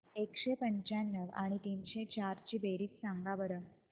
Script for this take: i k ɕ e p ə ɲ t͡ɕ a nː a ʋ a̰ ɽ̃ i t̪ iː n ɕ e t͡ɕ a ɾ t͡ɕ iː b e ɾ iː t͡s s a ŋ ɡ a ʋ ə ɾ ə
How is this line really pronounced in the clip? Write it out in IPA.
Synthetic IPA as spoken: e k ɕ e p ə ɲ t͡ɕ a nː ə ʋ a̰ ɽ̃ i t̪ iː n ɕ e t͡ɕ a ɾ t͡ɕ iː b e ɾ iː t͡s s a ŋ ɡ a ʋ ə ɾ ə